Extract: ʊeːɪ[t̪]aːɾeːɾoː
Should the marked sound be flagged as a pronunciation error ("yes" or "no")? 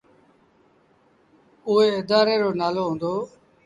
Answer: yes